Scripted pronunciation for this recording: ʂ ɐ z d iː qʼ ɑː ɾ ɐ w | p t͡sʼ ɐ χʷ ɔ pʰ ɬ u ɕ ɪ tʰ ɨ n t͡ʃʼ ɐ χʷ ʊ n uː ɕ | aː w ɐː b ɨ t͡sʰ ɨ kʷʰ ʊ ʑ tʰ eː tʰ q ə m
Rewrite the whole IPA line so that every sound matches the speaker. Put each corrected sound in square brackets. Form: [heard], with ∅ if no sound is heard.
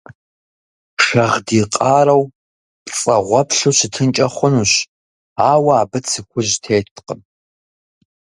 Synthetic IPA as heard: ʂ ɐ [ʁ] d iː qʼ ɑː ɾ ɐ w | p t͡sʼ ɐ [ʁʷ] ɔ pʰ ɬ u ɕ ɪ tʰ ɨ n t͡ʃʼ ɐ χʷ ʊ n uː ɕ | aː w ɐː b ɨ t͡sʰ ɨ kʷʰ ʊ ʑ tʰ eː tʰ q ə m